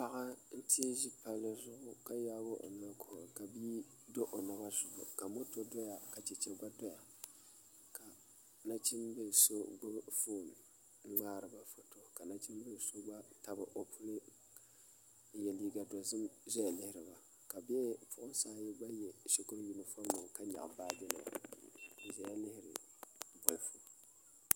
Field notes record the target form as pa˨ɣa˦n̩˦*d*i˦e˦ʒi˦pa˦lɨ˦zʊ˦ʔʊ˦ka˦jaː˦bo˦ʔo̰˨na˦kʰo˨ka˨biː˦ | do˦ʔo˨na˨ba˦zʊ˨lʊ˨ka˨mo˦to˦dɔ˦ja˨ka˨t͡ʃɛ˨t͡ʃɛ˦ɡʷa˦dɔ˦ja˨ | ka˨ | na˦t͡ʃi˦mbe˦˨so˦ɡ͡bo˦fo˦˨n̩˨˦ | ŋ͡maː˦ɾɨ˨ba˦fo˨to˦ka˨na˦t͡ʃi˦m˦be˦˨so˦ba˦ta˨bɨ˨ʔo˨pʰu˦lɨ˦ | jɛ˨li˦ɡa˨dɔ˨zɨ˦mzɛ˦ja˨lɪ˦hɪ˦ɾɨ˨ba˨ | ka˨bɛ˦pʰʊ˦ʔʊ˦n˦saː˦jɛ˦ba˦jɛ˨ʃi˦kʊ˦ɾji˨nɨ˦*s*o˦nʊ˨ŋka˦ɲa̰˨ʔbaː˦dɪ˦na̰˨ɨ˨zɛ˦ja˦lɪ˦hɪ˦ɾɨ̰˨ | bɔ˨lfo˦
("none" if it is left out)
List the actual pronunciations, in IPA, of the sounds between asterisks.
t, f

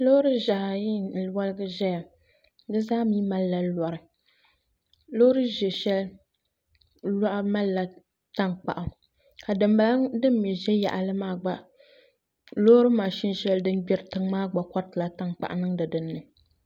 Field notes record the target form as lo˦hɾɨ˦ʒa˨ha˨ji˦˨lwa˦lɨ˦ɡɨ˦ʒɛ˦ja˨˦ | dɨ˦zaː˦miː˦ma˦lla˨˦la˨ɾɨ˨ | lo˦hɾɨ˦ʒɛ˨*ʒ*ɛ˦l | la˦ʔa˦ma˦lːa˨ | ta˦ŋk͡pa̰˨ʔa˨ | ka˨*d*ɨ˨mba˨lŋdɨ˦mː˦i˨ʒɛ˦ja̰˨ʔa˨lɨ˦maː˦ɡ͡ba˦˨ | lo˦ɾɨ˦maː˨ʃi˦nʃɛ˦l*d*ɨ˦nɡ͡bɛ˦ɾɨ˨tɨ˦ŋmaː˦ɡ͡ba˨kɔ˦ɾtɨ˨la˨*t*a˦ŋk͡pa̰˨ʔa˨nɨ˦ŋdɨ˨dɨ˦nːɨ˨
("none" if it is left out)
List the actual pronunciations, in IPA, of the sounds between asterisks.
ʃ, d, d, t

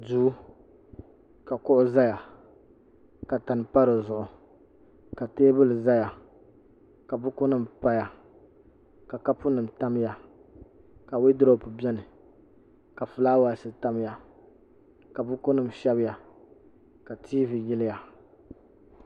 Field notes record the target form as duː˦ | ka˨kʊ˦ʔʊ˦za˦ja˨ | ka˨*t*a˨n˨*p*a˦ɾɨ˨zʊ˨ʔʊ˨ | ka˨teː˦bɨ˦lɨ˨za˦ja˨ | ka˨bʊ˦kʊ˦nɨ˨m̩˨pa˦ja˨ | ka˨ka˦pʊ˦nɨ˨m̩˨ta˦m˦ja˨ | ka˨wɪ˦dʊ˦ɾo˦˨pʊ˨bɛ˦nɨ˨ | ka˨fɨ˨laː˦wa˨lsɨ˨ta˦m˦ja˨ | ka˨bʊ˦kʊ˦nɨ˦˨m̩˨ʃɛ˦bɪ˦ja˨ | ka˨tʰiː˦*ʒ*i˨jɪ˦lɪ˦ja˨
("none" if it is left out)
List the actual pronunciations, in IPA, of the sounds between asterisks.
t, p, v

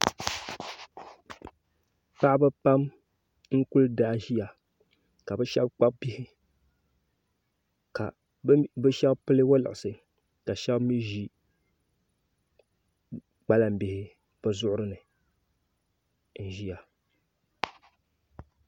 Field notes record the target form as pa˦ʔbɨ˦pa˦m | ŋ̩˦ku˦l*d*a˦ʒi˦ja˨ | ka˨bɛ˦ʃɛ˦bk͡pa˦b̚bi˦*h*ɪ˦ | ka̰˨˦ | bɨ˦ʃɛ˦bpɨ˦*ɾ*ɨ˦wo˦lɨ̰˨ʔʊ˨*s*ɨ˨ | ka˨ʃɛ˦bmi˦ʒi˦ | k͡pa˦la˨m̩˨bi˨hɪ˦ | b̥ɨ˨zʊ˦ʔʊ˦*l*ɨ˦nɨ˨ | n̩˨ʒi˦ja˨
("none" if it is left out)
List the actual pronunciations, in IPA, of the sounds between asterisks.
d, h, l, s, ɾ

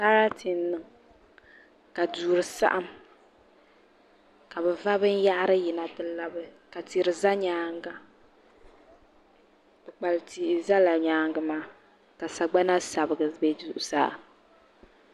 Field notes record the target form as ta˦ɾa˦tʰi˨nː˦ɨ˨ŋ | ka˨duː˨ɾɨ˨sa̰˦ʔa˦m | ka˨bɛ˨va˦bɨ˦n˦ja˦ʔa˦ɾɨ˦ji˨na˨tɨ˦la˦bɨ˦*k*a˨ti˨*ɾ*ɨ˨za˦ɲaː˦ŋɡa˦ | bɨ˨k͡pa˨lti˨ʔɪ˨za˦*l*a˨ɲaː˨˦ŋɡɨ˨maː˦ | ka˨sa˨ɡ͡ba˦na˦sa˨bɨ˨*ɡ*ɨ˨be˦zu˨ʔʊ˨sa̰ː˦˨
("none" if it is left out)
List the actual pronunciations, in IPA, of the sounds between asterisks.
k, ɾ, l, ɡ

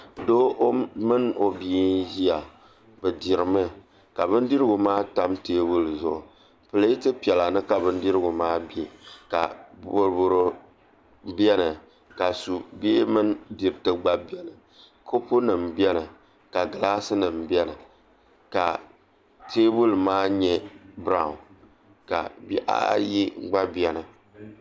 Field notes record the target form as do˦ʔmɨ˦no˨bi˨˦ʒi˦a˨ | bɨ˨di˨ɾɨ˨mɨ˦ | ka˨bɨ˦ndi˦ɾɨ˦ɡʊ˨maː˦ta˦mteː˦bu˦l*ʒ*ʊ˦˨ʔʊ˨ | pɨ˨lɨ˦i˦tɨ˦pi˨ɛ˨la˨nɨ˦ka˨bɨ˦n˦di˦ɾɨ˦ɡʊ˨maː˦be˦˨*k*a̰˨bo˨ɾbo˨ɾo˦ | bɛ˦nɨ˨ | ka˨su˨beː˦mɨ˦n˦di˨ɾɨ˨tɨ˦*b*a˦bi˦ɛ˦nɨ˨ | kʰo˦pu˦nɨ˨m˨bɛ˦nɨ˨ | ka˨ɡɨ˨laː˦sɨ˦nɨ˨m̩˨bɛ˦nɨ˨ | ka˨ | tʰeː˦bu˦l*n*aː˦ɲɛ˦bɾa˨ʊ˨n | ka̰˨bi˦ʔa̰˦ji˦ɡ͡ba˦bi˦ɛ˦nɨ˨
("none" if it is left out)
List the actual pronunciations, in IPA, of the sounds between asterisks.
z, k, ɡ͡b, m

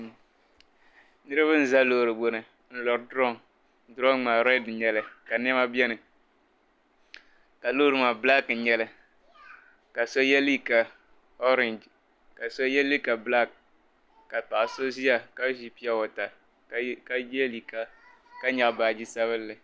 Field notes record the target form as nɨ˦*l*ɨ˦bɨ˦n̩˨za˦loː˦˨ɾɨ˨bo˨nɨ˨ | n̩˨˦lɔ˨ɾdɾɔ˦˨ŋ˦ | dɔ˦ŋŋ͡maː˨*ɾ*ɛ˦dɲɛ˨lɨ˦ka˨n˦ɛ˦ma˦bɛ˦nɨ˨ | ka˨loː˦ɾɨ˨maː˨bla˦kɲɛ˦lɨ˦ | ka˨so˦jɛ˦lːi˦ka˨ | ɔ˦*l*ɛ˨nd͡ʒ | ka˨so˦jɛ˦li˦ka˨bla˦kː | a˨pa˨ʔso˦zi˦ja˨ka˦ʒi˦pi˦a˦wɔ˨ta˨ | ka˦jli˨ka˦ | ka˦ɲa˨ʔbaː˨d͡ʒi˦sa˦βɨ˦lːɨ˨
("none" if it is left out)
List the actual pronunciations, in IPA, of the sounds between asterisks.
ɾ, ɾ, ɾ

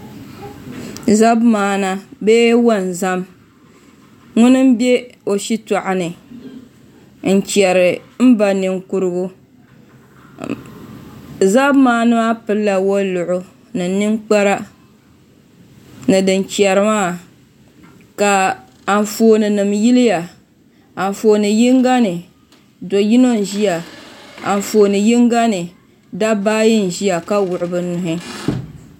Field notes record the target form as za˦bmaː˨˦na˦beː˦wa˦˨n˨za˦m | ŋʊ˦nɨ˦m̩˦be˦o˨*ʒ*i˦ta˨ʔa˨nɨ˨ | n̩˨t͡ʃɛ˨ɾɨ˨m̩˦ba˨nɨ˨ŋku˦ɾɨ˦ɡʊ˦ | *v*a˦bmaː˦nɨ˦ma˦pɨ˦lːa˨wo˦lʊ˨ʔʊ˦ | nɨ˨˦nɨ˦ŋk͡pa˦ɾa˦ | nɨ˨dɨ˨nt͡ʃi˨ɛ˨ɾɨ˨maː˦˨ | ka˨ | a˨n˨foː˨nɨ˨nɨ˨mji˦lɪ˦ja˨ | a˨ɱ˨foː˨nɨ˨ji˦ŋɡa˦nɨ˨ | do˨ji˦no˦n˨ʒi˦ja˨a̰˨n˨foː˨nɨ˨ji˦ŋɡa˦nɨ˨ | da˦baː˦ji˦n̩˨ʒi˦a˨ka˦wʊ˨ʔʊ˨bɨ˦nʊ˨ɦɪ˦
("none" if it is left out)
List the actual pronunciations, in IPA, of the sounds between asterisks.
ʃ, z

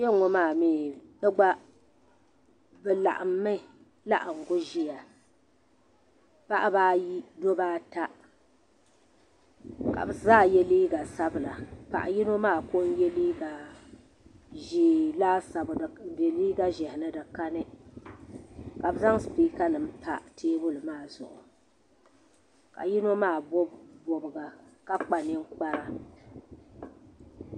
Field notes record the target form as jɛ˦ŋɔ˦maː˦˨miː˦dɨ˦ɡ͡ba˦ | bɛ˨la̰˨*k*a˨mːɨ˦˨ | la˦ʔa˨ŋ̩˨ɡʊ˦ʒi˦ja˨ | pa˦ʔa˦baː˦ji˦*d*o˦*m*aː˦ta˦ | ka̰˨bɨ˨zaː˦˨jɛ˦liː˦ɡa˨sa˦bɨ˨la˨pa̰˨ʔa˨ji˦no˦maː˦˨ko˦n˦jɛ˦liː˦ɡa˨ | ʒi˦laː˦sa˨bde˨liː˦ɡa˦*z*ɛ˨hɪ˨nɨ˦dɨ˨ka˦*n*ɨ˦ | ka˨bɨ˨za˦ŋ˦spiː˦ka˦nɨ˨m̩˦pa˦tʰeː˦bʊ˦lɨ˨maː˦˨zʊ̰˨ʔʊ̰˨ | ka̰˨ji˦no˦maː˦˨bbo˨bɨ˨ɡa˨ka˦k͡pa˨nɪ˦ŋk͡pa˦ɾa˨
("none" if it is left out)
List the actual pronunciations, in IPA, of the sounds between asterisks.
ʔ, d, b, ʒ, n

